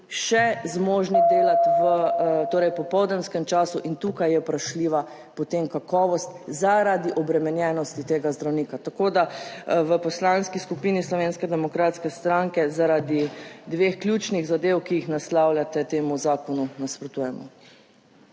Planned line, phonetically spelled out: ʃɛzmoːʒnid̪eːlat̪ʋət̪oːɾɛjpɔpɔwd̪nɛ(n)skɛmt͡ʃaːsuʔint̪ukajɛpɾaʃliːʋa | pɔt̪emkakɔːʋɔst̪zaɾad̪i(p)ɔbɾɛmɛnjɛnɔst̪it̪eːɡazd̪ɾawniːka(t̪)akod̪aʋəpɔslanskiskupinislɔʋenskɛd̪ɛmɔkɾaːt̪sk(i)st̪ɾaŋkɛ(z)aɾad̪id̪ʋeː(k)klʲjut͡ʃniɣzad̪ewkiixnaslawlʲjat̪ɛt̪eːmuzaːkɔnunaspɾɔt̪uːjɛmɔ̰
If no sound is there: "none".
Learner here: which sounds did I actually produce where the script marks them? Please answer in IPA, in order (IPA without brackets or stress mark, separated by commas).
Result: n, ʔ, t̪, ɛ, z, x